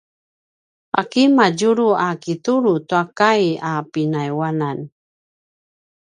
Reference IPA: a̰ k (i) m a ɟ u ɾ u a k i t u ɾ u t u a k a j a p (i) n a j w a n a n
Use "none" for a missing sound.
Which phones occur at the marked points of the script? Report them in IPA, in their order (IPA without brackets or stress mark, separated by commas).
i, i